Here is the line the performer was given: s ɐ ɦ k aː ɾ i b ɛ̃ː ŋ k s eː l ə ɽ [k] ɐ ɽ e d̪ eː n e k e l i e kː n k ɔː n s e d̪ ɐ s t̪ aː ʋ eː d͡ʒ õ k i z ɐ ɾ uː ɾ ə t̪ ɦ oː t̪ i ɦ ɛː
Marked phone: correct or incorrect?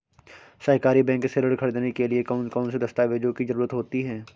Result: incorrect